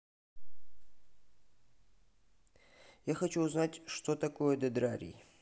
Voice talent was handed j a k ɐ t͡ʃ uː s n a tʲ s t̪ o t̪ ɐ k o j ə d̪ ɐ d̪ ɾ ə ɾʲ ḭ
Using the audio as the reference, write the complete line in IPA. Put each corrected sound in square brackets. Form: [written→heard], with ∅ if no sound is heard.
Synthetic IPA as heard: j a [k→x] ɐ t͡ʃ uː [s→z] n a tʲ [s→ʂ] t̪ o t̪ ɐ k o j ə d̪ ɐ d̪ ɾ [ə→a] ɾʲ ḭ